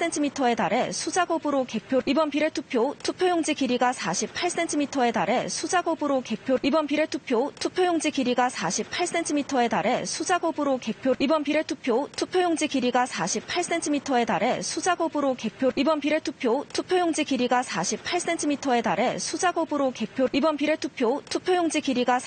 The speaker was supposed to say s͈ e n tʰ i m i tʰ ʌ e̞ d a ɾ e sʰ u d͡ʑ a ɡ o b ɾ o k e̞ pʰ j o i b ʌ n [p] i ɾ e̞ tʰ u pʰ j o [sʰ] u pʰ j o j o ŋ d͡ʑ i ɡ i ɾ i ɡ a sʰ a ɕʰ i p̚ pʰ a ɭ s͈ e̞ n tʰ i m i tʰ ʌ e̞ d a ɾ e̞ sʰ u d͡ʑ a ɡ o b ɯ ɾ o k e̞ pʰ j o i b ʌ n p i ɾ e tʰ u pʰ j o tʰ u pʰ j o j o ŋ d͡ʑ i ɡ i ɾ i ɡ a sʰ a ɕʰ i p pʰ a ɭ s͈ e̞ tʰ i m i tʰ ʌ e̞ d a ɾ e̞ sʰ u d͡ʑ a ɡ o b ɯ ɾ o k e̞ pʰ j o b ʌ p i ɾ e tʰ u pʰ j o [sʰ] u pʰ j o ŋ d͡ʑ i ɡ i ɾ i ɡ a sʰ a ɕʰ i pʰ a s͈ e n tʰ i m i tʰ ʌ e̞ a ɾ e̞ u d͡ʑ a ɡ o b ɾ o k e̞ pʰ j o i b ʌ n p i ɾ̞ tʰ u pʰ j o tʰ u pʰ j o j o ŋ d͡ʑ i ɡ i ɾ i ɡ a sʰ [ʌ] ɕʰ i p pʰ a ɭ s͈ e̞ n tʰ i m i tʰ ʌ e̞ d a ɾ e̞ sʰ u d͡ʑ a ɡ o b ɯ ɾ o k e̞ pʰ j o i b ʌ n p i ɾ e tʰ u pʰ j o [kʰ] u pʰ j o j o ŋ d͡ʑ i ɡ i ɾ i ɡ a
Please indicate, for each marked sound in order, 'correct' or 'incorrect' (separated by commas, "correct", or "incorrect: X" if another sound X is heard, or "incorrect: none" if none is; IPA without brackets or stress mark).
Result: correct, incorrect: tʰ, incorrect: tʰ, incorrect: a, incorrect: tʰ